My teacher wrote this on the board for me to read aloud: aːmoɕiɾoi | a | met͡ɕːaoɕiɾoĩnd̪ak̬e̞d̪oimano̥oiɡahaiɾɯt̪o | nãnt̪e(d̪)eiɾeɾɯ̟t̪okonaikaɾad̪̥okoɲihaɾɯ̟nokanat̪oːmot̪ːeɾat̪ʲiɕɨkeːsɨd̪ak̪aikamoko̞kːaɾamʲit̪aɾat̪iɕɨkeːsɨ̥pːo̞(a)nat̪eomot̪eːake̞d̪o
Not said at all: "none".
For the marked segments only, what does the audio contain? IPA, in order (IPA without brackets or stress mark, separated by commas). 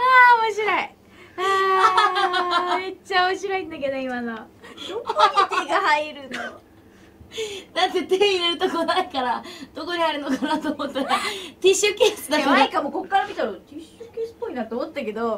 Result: t̪, i